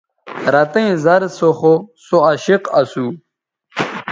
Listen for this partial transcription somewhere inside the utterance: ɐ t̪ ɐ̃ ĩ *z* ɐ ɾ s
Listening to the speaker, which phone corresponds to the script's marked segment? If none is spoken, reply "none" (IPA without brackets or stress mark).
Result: z